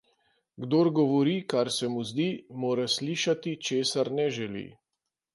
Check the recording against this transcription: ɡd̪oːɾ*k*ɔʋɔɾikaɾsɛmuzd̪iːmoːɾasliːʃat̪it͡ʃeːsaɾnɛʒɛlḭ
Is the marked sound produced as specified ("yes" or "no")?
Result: no